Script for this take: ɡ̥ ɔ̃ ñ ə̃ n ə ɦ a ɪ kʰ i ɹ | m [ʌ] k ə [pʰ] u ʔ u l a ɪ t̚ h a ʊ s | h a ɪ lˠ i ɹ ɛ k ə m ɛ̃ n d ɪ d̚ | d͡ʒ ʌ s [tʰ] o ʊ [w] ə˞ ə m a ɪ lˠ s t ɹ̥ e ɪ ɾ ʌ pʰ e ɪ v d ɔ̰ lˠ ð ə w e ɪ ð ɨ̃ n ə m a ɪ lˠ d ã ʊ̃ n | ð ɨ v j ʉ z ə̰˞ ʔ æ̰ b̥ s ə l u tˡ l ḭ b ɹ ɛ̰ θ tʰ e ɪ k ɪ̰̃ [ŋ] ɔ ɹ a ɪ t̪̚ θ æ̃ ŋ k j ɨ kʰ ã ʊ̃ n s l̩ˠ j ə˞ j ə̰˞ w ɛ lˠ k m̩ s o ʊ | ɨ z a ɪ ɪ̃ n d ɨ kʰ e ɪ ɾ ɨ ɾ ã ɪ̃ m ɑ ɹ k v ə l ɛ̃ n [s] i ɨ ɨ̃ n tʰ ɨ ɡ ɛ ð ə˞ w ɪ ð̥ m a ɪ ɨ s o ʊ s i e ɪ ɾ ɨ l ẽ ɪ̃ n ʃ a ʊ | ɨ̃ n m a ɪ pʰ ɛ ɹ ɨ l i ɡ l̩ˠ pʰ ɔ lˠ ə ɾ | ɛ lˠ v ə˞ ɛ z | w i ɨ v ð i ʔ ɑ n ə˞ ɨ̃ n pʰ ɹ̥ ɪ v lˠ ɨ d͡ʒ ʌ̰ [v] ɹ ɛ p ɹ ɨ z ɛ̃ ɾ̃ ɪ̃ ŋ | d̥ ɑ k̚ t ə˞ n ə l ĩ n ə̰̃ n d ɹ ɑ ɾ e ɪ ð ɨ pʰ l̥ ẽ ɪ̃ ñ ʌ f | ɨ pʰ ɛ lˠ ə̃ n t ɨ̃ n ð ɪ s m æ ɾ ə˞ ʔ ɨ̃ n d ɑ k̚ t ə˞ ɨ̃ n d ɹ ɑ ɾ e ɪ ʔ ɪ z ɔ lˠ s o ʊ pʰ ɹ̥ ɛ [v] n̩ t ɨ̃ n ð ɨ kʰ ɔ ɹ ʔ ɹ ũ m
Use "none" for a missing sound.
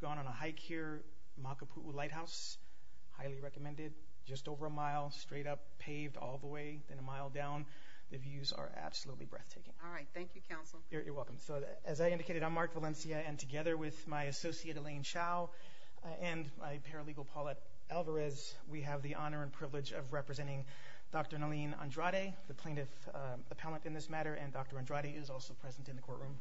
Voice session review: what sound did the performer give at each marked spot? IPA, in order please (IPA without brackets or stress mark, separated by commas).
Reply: ɑ, pʰ, t, v, ŋ, s, v, z